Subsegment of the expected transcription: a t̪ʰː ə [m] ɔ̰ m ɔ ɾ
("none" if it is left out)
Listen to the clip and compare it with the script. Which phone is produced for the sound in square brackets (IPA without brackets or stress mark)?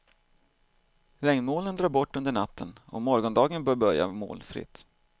n